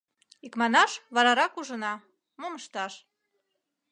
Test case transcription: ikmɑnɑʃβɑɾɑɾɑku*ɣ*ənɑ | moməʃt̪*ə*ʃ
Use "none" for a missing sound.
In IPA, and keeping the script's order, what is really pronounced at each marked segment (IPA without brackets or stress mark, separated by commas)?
ʒ, ɑ